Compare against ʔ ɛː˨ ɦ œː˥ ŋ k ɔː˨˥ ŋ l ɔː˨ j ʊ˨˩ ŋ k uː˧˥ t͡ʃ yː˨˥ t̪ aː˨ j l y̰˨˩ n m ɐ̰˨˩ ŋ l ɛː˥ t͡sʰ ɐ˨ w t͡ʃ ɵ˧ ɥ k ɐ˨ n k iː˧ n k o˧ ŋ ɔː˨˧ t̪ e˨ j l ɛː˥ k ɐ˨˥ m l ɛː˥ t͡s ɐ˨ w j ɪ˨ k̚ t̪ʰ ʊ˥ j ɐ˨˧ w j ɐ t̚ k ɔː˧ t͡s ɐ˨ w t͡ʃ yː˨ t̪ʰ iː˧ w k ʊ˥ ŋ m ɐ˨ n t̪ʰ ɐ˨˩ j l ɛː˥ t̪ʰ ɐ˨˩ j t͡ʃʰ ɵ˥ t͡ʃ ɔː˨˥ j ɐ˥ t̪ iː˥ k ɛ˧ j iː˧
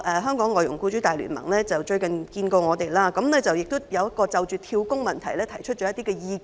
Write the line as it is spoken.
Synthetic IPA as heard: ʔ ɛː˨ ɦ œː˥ ŋ k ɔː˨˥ ŋ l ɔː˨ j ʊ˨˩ ŋ k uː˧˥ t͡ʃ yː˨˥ t̪ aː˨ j l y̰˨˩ n m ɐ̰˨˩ ŋ l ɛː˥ t͡s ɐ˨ w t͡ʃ ɵ˧ ɥ k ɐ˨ n k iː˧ n k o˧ ŋ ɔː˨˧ t̪ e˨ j l aː˥ k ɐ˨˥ m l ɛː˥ t͡s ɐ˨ w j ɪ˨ k̚ t̪ ʊ˥ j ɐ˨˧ w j ɐ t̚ k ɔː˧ t͡s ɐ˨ w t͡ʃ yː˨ t̪ʰ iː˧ w k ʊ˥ ŋ m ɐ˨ n t̪ʰ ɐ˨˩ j l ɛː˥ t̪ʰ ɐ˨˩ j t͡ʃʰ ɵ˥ t͡ʃ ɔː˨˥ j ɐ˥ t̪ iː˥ k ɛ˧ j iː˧